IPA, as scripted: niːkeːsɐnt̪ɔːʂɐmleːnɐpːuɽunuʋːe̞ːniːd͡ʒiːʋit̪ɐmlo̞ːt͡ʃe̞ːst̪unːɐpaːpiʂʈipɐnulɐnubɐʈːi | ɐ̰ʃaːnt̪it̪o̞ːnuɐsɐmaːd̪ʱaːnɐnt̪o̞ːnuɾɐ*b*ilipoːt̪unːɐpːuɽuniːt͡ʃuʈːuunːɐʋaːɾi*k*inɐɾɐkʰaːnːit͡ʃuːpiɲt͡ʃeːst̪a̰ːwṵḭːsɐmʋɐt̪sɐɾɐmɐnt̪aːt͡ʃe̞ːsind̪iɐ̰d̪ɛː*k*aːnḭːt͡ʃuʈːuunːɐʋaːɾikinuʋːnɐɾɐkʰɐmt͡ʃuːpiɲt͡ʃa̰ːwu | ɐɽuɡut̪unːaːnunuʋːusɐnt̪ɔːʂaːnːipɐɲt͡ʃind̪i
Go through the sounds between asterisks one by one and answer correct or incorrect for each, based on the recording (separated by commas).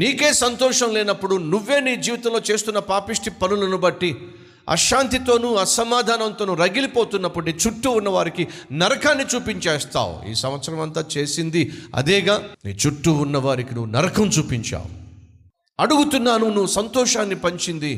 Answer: incorrect, correct, incorrect